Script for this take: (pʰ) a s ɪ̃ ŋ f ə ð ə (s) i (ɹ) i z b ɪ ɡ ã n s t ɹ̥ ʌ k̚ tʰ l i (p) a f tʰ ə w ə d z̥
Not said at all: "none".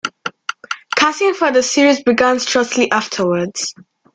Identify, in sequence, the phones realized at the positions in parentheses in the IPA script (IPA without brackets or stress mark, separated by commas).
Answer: kʰ, s, ɹ, ʔ